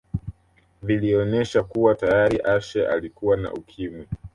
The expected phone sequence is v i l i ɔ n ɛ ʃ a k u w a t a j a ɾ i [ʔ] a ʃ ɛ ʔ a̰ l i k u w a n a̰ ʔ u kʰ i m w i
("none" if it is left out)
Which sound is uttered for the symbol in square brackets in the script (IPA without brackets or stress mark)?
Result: ʔ